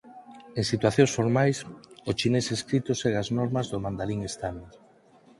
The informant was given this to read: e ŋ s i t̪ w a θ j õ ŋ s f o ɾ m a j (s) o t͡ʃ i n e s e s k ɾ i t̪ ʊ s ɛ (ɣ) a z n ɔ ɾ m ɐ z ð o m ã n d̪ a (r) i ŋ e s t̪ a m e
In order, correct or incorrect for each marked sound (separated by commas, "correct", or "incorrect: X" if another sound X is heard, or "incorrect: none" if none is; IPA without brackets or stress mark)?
correct, correct, incorrect: l